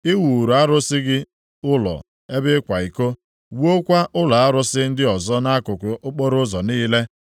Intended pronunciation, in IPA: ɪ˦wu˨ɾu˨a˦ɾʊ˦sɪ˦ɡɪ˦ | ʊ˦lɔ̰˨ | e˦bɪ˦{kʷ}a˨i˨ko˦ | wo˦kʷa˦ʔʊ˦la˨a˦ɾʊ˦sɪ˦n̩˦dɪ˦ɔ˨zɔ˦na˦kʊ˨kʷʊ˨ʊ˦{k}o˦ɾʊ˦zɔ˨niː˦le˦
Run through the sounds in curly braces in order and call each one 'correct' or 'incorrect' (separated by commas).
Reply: correct, incorrect